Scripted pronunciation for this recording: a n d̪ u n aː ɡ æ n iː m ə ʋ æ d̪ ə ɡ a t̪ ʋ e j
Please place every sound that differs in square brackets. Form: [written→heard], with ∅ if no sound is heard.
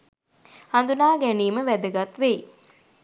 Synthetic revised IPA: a n d̪ u n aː ɡ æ n iː m ə ʋ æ d̪ ə ɡ a t̪ ʋ e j